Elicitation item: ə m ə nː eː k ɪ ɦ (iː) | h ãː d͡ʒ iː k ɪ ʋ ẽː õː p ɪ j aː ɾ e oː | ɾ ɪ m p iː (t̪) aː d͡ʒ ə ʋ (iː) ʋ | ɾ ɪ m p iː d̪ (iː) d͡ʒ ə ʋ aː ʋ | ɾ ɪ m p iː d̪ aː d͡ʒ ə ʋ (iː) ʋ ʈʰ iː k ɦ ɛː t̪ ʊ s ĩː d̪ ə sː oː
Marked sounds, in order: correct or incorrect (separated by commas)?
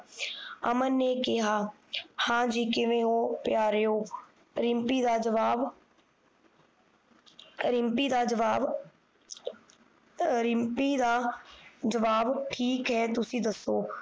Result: incorrect, incorrect, incorrect, incorrect, incorrect